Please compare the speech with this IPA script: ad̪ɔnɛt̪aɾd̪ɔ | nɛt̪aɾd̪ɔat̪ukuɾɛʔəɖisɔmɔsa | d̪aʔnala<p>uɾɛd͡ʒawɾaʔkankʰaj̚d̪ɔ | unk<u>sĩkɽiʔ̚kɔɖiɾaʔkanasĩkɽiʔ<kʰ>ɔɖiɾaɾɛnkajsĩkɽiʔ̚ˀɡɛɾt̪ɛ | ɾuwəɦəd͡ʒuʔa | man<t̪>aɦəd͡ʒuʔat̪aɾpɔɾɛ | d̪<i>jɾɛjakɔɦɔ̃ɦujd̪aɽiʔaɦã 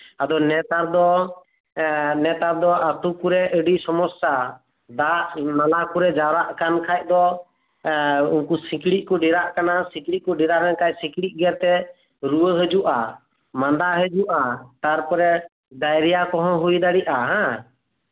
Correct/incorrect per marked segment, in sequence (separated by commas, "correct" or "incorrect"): incorrect, correct, incorrect, incorrect, incorrect